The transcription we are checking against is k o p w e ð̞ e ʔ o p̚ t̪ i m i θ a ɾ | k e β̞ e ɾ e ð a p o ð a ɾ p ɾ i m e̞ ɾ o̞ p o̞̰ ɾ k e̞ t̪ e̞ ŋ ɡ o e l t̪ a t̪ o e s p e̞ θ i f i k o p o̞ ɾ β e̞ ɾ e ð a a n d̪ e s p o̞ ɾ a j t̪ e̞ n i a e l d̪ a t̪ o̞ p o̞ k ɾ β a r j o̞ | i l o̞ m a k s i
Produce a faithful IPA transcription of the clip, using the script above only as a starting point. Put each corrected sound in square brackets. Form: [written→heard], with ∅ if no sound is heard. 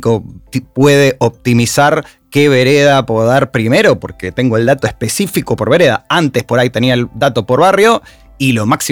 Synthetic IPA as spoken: k o p w e ð̞ e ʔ o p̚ t̪ i m i [θ→s] a ɾ | k e β̞ e ɾ e ð a p o ð a ɾ p ɾ i m e̞ ɾ o̞ p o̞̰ ɾ k e̞ t̪ e̞ ŋ ɡ o e l [t̪→d̪] a t̪ o e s p e̞ [θ→s] i f i k o p o̞ ɾ β e̞ ɾ e ð a a n [d̪→t̪] e s p o̞ ɾ a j t̪ e̞ n i a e l d̪ a t̪ o̞ p o̞ [k→∅] ɾ β a r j o̞ | i l o̞ m a k s i